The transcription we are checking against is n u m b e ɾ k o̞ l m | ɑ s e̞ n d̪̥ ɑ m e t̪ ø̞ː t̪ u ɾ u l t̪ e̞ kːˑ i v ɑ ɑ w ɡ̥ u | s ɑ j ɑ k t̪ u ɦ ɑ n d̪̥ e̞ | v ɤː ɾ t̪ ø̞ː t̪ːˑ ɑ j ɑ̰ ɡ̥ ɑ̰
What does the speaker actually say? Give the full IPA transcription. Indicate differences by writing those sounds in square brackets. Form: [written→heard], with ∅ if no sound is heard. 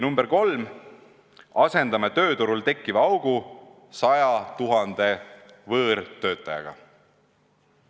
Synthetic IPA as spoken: n u m b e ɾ k o̞ l m | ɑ s e̞ n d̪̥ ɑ m e t̪ ø̞ː t̪ u ɾ u l t̪ e̞ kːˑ i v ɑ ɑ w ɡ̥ u | s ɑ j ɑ [k→∅] t̪ u ɦ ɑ n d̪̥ e̞ | v ɤː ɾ t̪ ø̞ː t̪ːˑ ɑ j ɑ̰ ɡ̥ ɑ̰